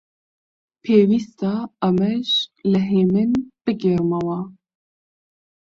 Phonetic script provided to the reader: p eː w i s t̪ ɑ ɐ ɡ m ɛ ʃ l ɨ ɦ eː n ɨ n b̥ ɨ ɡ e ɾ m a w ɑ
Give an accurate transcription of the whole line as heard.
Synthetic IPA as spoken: pʰ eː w i s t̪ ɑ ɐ m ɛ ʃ l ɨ ɦ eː m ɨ n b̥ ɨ ɡ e ɾ m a w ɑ